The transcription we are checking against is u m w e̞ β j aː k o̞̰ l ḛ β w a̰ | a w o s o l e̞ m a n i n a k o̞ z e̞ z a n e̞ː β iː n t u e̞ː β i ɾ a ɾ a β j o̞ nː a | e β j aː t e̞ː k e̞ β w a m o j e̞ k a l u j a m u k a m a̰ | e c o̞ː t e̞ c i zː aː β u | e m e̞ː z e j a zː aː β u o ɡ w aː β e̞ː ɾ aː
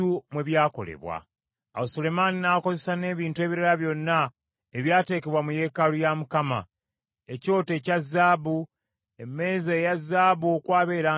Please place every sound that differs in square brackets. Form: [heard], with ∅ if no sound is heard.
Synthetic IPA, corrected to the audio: u m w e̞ β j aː k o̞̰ l ḛ β w a̰ | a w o s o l e̞ m a n i n a k o̞ z e̞ [s] a n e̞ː β iː n t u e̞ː β i ɾ a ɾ a β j o̞ nː a | e β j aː t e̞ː k e̞ β w a m [u] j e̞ k a l u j a m u k a m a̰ | e c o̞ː t e̞ c [a] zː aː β u | e m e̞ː z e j a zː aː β u o [k] w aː β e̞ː ɾ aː